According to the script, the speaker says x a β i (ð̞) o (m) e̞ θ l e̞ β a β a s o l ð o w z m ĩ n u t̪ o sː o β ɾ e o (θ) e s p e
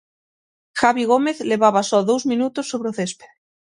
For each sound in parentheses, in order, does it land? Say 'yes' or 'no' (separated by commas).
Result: no, yes, yes